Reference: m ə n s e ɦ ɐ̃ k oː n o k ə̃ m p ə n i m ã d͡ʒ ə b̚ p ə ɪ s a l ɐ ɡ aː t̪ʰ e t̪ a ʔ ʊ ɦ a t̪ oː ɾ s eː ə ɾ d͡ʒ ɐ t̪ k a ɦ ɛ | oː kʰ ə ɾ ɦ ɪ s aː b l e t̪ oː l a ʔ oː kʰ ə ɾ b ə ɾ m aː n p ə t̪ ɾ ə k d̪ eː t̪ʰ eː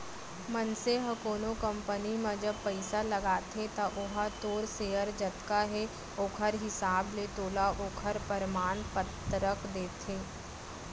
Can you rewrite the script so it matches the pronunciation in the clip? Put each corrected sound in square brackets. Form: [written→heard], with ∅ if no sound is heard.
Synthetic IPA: m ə n s e ɦ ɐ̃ k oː n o k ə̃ m p ə n i m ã d͡ʒ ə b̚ p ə ɪ s a l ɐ ɡ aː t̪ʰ e t̪ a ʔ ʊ ɦ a t̪ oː ɾ s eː ə ɾ d͡ʒ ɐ t̪ k a ɦ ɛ | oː kʰ ə ɾ ɦ ɪ s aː b l e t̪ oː l a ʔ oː kʰ ə ɾ [b→p] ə ɾ m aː n p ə t̪ ɾ ə k d̪ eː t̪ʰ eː